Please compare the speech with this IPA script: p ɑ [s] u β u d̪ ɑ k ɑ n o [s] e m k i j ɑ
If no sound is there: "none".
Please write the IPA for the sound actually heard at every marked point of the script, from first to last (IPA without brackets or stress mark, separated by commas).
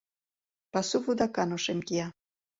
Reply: s, ʃ